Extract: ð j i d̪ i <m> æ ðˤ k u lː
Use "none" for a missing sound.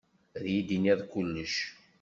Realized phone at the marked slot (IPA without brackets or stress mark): n